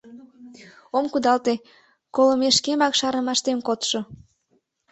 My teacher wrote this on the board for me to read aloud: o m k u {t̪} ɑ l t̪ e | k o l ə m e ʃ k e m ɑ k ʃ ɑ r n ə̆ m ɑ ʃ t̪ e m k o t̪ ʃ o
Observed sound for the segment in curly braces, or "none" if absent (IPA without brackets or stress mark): d̪